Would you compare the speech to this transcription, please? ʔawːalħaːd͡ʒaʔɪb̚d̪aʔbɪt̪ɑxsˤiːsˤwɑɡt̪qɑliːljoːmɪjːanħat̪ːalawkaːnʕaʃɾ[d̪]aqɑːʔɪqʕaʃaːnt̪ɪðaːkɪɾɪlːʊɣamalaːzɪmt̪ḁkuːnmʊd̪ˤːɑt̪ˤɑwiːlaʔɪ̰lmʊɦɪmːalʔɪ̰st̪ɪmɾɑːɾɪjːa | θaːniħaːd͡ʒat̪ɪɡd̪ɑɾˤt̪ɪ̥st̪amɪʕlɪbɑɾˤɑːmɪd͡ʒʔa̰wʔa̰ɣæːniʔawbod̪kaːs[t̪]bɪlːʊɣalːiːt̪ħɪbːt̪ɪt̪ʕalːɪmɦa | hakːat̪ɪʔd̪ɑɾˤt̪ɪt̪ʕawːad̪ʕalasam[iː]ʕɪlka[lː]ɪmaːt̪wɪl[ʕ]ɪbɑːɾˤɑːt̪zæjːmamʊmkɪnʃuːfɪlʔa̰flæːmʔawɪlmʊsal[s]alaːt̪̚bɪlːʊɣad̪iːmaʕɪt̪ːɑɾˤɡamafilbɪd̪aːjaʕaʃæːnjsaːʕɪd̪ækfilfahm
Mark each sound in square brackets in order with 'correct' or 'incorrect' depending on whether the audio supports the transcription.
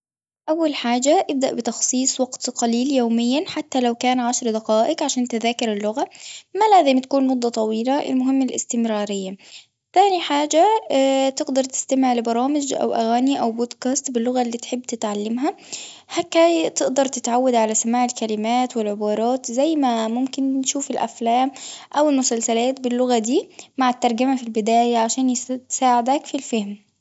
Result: correct, correct, incorrect: aː, incorrect: l, correct, correct

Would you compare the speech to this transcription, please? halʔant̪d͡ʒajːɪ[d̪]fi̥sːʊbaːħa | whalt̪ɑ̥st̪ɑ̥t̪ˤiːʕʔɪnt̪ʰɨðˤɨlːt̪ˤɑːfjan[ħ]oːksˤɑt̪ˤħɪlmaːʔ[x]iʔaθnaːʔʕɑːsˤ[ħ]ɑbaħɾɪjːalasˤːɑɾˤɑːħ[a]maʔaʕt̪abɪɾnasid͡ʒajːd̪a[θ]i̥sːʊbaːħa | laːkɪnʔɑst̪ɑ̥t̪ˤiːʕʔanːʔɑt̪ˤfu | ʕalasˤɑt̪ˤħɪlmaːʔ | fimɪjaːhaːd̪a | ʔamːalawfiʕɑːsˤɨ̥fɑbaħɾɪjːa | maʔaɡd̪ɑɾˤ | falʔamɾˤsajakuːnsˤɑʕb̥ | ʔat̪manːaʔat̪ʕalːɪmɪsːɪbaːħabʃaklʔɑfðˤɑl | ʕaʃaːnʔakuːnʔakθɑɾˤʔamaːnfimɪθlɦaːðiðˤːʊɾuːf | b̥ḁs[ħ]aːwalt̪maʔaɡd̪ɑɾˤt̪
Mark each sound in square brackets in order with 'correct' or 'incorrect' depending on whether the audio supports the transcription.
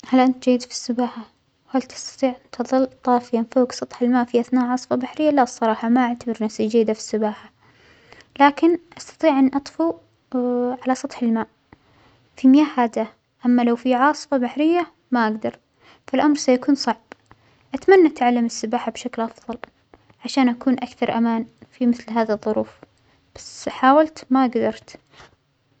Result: correct, incorrect: f, incorrect: f, incorrect: f, incorrect: ɑ, incorrect: f, correct

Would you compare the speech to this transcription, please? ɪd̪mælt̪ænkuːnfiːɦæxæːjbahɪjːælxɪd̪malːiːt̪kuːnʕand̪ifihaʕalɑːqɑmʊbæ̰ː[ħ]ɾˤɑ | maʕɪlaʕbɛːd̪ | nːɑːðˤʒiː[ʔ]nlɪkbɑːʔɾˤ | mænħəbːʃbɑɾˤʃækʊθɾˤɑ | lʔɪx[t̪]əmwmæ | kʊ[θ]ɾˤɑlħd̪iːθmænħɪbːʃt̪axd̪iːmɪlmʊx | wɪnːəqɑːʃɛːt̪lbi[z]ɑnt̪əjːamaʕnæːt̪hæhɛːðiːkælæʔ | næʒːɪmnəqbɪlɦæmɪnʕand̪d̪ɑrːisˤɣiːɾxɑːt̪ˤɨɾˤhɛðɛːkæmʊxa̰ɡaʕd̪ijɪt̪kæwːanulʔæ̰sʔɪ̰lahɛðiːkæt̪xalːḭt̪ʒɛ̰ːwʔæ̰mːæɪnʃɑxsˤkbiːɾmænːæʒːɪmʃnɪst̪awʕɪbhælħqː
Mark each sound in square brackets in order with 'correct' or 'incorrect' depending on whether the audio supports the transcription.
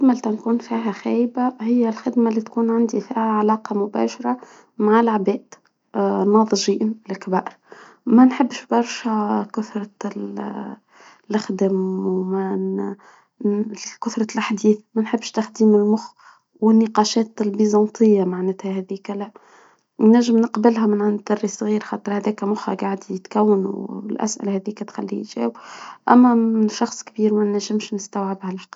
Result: incorrect: ʃ, correct, incorrect: d̪, correct, correct

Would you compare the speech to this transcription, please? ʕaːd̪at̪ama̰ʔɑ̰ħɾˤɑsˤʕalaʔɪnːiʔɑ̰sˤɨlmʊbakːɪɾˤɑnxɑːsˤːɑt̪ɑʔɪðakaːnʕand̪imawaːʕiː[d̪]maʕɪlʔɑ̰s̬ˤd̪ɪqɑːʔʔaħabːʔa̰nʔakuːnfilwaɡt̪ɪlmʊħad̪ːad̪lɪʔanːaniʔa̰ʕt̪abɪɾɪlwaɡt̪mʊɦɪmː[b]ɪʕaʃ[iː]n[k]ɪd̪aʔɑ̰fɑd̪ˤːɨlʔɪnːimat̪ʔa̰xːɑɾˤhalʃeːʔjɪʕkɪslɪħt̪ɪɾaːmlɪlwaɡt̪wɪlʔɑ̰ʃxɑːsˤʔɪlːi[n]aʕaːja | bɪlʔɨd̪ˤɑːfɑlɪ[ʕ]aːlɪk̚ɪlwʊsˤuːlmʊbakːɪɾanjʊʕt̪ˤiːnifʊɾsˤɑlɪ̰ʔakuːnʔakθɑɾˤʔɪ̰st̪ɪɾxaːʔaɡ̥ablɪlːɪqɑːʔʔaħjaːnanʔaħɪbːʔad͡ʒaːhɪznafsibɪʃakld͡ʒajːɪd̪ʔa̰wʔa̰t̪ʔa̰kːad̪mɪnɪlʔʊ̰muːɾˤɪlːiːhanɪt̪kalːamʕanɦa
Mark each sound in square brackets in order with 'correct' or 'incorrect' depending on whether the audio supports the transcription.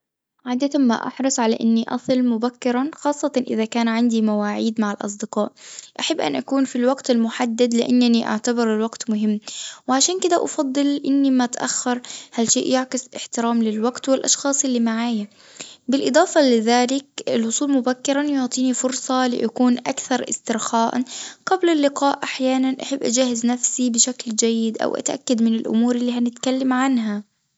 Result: correct, incorrect: w, incorrect: aː, correct, incorrect: m, incorrect: ð

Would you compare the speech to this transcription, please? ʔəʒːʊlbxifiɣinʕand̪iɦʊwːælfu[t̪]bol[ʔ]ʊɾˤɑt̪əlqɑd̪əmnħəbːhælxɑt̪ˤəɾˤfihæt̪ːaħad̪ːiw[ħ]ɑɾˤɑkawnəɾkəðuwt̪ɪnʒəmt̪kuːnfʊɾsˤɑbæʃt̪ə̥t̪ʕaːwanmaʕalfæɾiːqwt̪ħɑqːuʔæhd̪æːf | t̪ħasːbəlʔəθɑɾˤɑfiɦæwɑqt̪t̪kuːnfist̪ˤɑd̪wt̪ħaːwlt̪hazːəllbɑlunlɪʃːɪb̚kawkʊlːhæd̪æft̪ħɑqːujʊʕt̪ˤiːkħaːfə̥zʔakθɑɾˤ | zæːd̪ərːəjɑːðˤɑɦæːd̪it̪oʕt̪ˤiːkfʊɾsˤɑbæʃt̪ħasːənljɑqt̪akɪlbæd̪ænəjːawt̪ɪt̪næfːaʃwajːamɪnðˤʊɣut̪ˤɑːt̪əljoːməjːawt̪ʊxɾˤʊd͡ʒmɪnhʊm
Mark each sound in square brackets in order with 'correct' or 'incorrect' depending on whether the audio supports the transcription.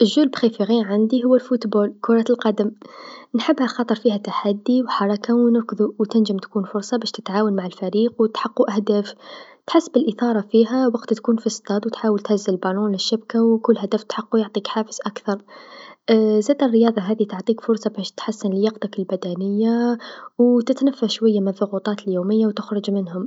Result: correct, incorrect: k, correct

